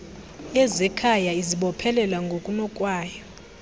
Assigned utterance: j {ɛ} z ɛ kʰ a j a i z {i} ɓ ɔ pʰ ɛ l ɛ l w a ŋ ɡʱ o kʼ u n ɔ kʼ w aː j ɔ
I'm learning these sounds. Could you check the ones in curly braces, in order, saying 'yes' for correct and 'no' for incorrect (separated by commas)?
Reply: yes, yes